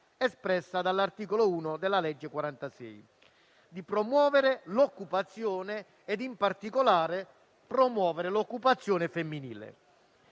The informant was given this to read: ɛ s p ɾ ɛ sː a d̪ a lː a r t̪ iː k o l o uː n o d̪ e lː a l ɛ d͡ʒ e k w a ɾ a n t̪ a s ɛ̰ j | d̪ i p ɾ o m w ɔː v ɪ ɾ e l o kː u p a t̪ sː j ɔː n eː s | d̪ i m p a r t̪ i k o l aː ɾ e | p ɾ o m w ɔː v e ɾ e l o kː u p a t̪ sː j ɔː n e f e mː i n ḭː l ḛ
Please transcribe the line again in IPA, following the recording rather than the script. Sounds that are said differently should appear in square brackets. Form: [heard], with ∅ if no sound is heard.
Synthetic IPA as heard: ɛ s p ɾ ɛ sː a d̪ a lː a r t̪ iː k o l o uː n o d̪ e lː a l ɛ [d͡ʒː] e k w a ɾ a n t̪ a s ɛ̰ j | d̪ i p ɾ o m w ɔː v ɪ ɾ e l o kː u p a t̪ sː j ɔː n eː [∅] | d̪ i m p a r t̪ i k o l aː ɾ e | p ɾ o m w ɔː v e ɾ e l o kː u p a t̪ sː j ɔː n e f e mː i n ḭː l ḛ